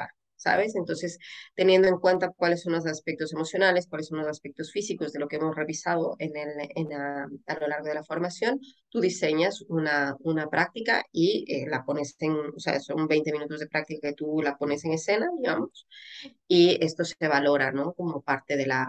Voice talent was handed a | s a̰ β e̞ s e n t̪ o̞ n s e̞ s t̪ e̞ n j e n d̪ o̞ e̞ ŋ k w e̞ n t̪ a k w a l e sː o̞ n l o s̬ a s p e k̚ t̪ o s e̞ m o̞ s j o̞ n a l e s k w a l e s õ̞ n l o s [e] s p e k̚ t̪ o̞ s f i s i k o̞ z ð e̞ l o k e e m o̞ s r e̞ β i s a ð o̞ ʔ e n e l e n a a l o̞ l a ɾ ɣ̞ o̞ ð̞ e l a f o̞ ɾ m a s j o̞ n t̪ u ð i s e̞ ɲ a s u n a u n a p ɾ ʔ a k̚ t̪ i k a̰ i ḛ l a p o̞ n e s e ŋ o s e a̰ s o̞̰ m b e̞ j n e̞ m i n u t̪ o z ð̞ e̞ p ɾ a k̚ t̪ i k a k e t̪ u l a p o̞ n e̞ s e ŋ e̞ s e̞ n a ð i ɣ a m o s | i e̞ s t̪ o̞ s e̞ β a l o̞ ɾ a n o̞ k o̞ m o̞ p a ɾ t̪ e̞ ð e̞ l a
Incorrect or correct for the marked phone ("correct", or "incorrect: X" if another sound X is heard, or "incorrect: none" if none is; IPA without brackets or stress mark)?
incorrect: a